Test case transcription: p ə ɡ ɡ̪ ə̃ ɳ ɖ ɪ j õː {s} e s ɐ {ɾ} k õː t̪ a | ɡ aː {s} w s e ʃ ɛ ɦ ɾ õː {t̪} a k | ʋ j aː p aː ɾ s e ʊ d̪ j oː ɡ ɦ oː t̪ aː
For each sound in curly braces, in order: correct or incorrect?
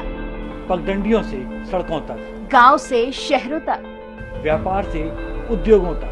correct, incorrect: ɽ, incorrect: none, correct

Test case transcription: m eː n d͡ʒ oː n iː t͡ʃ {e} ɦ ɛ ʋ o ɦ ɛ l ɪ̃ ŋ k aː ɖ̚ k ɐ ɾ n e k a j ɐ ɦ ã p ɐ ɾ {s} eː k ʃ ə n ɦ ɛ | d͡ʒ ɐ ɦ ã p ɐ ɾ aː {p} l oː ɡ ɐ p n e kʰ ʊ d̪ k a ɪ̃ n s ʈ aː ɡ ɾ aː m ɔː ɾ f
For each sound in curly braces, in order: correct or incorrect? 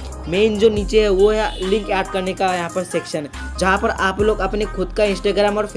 correct, correct, correct

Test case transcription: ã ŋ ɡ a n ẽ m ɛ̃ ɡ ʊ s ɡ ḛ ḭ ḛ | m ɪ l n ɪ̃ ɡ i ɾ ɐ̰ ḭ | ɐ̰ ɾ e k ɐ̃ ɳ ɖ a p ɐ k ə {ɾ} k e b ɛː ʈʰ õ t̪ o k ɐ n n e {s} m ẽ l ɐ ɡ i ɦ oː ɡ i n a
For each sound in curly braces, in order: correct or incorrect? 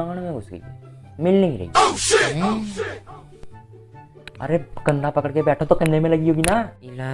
incorrect: ɽ, incorrect: none

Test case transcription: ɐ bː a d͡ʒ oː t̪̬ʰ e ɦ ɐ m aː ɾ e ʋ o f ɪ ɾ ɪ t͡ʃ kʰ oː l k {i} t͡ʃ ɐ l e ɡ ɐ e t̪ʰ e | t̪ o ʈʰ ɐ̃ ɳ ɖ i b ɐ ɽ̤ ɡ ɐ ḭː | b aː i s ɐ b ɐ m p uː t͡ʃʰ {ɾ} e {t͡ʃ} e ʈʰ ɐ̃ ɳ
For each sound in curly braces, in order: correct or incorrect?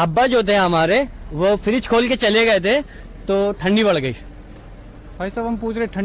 incorrect: e, correct, incorrect: none

